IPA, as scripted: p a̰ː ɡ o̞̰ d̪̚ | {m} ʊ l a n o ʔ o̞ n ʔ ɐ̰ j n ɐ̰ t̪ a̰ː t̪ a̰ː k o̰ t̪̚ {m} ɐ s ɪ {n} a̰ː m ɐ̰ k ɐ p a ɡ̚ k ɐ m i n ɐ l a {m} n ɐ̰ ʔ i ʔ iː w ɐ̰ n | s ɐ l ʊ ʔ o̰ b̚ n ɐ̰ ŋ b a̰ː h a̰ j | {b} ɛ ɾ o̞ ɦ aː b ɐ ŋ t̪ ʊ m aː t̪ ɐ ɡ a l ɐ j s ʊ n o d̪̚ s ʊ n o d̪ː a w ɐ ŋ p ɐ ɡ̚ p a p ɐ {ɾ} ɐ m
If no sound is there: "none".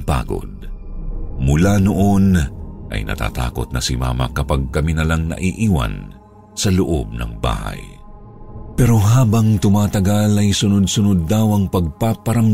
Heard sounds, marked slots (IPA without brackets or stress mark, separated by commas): m, n, m, ŋ, p, ɾ